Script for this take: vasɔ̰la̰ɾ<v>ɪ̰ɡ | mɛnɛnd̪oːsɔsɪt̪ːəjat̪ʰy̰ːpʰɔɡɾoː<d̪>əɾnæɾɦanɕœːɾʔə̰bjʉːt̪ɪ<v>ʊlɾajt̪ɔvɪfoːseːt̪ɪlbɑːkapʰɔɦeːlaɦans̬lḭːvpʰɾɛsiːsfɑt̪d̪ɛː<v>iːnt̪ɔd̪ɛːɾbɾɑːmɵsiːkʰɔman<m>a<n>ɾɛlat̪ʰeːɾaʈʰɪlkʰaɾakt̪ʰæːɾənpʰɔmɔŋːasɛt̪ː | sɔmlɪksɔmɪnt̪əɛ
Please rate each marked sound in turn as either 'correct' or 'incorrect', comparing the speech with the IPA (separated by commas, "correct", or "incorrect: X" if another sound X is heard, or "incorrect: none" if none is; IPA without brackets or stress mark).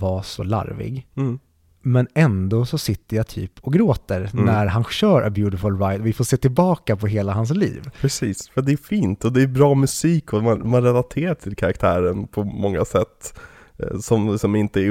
correct, incorrect: t̪, incorrect: f, incorrect: f, correct, correct